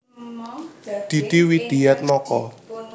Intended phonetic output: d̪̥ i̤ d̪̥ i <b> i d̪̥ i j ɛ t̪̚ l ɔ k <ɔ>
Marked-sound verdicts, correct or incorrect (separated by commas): incorrect, correct